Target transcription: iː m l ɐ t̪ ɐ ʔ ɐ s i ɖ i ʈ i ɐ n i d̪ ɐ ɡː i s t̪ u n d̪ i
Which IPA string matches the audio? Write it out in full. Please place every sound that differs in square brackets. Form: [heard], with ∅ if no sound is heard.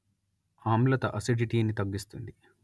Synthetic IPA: [aː] m l ɐ t̪ ɐ ʔ ɐ s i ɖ i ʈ i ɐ n i [t̪] ɐ ɡː i s t̪ u n d̪ i